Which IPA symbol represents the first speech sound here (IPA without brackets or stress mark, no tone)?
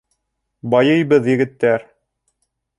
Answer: b